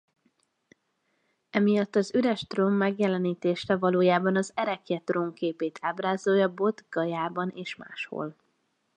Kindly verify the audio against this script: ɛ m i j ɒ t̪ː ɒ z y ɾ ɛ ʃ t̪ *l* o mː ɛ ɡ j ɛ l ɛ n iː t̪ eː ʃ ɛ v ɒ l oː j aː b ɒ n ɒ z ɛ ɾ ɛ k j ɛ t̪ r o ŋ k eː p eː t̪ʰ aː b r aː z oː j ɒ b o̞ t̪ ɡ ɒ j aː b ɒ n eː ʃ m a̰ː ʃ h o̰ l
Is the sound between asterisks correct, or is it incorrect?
incorrect